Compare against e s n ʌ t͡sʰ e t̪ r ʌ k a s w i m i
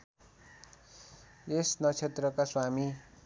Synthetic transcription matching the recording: e s n ʌ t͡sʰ e t̪ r ʌ k a s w a m i